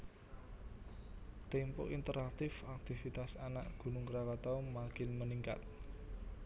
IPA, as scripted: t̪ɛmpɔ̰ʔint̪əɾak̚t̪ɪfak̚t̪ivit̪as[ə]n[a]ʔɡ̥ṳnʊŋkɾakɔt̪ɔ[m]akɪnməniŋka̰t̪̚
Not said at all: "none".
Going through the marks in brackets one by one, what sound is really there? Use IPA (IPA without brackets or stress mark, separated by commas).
a, a, m